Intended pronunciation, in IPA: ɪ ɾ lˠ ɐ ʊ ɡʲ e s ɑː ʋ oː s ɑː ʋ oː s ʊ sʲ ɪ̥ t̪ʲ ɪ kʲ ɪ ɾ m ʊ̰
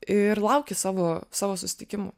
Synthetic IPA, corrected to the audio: ɪ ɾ lˠ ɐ ʊ kʲ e s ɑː ʋ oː s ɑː ʋ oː s ʊ sʲ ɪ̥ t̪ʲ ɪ kʲ ɪ m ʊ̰